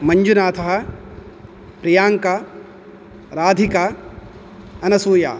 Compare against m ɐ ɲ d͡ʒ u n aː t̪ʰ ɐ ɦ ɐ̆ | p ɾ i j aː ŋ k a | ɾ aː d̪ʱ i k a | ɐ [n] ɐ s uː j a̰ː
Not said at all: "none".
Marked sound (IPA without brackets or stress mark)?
n